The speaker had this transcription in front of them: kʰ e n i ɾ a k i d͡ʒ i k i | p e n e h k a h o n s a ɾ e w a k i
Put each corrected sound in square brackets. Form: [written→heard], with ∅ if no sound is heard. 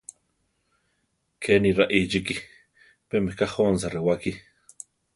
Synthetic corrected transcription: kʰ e n i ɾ a [k→ʔ] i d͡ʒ i k i | p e [n→m] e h k a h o n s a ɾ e w a k i